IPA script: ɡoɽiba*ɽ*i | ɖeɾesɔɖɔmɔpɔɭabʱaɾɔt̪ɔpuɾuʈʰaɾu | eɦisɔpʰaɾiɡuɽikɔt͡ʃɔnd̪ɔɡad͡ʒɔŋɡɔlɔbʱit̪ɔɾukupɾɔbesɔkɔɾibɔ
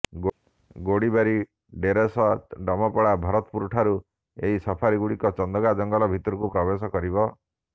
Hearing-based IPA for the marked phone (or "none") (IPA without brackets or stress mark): ɾ